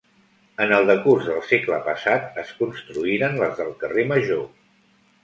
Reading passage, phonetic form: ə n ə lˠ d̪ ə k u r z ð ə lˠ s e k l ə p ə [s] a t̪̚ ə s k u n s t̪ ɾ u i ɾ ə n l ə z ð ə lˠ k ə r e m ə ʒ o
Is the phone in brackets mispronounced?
no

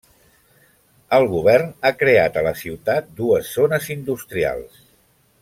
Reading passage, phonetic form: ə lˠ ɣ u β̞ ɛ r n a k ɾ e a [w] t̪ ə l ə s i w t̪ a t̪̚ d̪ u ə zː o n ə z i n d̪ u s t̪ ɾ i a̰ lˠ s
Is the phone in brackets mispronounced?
yes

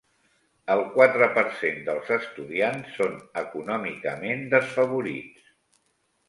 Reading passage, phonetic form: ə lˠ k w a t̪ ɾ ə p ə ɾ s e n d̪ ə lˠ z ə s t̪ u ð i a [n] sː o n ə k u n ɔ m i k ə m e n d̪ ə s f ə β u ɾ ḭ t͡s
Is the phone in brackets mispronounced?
no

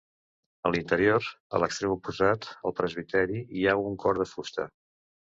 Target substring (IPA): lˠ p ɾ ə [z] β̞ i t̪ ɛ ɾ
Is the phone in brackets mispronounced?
no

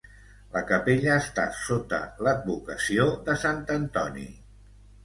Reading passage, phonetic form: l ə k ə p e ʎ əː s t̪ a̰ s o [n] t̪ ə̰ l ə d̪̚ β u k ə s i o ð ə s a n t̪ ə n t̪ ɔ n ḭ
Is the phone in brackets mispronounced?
yes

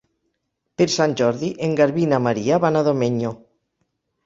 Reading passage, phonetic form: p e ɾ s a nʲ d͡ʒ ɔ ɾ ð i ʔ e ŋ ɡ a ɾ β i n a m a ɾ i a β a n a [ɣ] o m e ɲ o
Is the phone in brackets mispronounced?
yes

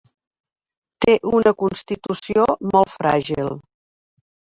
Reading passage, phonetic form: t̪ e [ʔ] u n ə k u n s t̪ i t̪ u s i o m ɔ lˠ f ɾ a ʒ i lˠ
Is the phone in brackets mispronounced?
no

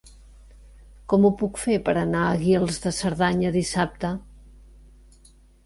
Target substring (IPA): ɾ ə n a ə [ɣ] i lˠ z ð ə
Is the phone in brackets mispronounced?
no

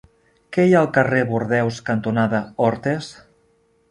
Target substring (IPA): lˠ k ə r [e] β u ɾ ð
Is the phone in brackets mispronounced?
no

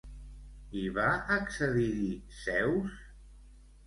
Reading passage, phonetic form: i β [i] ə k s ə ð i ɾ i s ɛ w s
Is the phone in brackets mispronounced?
yes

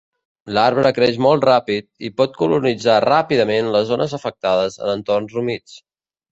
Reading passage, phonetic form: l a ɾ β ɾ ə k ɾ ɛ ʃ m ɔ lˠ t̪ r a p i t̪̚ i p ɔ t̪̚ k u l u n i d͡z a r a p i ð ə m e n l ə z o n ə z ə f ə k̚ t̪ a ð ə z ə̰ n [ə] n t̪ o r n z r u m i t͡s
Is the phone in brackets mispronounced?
no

